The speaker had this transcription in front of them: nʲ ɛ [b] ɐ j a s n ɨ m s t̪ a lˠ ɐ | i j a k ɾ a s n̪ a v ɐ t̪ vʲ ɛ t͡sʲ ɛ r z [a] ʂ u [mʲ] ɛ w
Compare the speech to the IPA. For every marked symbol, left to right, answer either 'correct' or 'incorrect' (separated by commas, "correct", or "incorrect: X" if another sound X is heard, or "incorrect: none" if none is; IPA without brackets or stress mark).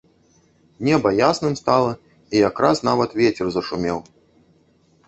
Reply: correct, incorrect: ɐ, correct